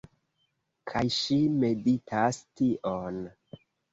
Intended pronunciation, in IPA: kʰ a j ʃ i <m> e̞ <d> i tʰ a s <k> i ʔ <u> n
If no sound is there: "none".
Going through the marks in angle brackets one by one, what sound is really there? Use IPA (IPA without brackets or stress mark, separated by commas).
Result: m, d, t, o